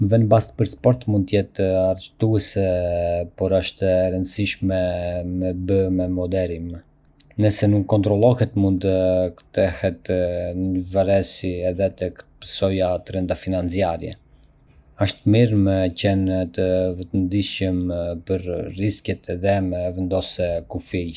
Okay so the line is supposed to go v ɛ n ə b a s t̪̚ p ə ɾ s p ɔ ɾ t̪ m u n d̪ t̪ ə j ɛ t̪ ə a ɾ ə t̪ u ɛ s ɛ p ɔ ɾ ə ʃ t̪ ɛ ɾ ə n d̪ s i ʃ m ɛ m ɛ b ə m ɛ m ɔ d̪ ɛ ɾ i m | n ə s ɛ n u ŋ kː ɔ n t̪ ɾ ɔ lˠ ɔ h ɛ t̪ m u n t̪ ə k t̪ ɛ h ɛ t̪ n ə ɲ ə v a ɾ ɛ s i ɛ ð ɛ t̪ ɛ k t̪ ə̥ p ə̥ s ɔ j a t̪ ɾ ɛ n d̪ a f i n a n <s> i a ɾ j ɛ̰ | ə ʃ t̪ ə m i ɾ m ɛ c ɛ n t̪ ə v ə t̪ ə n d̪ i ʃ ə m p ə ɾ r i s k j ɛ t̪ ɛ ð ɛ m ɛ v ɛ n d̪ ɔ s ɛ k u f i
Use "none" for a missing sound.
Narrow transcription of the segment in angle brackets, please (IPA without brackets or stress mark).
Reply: t͡s